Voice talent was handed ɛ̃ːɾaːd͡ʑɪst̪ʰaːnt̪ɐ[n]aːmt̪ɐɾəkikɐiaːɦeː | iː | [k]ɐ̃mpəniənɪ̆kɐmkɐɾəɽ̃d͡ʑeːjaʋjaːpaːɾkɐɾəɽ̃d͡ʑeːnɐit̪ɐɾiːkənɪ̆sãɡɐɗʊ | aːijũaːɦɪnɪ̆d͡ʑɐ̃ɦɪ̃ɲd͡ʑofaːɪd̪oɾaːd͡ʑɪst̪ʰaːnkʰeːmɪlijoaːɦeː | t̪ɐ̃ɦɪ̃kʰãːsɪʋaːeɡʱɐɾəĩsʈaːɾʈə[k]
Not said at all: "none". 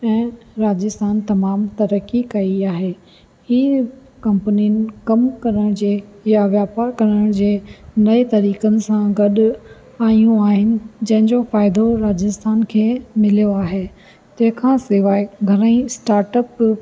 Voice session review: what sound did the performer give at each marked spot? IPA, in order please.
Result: m, k, p

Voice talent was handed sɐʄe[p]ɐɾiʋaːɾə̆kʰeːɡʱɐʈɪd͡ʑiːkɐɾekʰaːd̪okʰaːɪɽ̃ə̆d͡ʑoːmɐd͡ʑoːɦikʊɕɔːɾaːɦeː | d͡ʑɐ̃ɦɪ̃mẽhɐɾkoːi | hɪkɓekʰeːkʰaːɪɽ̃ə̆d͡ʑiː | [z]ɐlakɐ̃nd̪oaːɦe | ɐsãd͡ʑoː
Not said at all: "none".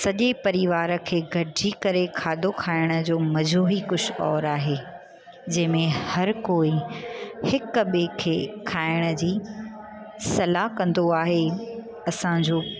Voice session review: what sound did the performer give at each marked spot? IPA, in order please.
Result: p, s

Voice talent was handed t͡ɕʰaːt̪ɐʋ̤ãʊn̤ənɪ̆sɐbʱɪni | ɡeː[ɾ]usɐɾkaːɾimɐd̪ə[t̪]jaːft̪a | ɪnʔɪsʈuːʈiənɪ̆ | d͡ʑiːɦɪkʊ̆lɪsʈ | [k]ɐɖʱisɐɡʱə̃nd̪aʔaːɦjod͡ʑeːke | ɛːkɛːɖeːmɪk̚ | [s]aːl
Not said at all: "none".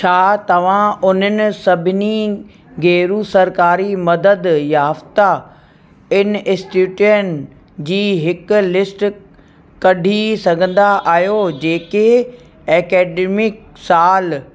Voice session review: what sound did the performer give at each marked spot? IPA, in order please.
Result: ɾ, d̪, k, s

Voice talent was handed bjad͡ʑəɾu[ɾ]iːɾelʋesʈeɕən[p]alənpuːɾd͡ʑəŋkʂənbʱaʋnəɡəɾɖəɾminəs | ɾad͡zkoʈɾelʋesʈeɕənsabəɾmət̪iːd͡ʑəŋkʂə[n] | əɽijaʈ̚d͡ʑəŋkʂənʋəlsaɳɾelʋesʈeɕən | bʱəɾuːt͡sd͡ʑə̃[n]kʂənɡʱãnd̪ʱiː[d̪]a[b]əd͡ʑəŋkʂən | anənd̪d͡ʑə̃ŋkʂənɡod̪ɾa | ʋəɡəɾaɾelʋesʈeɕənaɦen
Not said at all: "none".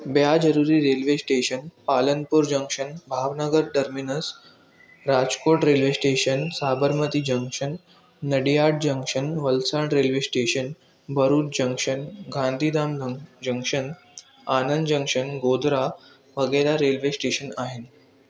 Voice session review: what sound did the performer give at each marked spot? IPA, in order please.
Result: ɾ, p, nː, ŋ, d̪, m

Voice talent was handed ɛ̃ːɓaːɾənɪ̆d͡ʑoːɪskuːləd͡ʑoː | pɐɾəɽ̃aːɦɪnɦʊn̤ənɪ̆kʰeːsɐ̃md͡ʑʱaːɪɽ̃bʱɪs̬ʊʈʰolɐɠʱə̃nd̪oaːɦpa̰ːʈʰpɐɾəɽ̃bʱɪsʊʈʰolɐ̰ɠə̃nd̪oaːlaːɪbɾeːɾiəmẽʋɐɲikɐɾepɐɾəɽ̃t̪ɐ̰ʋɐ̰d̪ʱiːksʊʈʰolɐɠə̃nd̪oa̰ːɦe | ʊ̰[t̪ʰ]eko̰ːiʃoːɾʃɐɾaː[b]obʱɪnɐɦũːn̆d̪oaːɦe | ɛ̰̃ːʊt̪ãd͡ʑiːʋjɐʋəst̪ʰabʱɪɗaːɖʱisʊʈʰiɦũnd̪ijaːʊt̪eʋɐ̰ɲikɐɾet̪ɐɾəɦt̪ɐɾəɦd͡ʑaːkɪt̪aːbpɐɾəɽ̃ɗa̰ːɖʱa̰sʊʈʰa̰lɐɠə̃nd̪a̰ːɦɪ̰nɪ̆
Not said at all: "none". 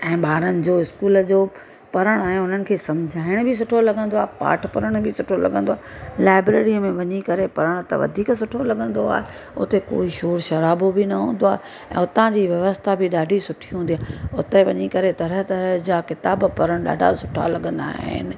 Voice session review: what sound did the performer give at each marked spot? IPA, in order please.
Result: t̪, b

